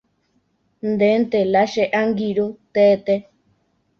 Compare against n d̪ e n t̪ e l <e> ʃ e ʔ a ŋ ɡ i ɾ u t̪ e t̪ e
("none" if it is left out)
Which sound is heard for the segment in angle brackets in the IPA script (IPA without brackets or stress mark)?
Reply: a